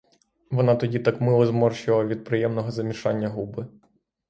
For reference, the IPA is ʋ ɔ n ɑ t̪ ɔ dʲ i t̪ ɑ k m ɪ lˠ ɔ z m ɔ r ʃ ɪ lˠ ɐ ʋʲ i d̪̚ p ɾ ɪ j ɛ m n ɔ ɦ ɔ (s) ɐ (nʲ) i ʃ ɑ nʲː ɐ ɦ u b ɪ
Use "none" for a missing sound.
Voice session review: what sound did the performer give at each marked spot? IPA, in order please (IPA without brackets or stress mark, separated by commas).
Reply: z, mʲ